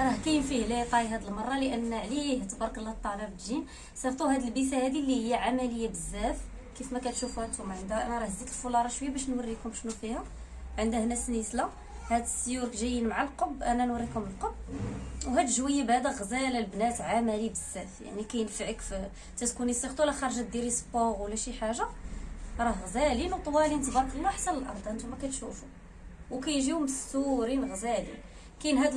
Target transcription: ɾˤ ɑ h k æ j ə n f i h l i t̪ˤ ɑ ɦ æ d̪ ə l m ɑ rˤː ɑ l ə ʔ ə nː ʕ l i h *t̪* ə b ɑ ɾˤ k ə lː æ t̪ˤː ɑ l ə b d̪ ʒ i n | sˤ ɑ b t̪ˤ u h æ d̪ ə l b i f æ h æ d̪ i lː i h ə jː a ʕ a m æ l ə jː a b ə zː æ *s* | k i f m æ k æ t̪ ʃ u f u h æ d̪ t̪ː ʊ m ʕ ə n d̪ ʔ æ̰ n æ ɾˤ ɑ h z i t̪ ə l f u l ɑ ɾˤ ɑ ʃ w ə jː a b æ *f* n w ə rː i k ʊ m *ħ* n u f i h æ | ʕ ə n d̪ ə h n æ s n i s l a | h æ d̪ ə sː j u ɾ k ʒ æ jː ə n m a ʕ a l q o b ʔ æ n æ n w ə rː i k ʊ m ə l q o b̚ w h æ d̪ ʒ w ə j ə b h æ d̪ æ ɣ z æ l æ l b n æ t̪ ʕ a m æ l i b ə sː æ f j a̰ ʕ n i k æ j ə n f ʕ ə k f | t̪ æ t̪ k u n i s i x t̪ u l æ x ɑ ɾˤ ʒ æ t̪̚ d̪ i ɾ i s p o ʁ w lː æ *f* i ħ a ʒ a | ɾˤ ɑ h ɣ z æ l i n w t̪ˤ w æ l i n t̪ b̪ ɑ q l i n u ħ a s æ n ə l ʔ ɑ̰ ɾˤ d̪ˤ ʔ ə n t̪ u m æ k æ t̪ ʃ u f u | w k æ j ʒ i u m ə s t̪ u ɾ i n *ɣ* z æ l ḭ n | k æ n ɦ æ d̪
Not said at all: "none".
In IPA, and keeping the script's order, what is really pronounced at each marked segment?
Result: t̪, f, ʃ, ʃ, ʃ, ɣ

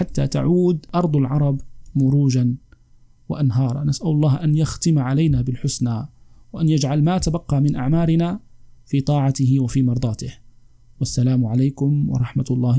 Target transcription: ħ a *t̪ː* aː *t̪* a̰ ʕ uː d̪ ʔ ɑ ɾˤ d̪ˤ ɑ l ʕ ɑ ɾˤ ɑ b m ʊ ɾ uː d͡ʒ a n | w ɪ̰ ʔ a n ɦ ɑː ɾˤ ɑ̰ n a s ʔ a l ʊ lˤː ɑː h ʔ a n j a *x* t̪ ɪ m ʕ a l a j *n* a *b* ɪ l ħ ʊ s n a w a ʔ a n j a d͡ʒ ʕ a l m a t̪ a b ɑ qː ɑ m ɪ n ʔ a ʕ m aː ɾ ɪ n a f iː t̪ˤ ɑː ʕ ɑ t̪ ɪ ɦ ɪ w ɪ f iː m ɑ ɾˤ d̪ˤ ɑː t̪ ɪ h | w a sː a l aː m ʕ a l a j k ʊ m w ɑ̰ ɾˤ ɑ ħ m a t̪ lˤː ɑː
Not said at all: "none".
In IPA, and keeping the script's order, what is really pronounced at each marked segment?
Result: t̪ː, t̪, x, n, b

